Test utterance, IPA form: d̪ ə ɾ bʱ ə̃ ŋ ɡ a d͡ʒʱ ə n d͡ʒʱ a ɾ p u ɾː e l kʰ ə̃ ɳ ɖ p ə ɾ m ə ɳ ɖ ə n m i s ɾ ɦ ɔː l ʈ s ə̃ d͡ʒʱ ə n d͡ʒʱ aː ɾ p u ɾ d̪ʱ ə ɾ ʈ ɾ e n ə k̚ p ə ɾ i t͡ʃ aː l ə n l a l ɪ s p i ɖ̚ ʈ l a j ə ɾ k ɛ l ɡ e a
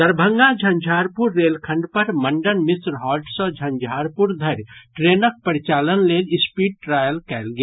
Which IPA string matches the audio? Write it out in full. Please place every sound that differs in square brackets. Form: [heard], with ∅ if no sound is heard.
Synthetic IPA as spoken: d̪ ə ɾ bʱ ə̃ ŋ ɡ a d͡ʒʱ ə n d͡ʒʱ a ɾ p u ɾː e l kʰ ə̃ ɳ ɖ p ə ɾ m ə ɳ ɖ ə n m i s ɾ ɦ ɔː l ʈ s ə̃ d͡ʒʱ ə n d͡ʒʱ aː ɾ p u ɾ d̪ʱ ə ɾ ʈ ɾ e n ə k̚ p ə ɾ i t͡ʃ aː l ə n l [e] l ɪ s p i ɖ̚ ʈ [ɾ] a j ə [l] k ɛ l ɡ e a